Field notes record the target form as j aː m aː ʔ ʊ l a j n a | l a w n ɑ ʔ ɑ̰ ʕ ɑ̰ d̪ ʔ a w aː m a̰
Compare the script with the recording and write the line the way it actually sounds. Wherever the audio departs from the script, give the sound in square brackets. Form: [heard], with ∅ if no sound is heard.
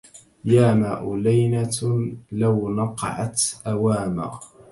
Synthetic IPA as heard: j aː m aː ʔ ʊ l a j n a | l a w n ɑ [q] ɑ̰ ʕ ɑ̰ [t̪] ʔ a w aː m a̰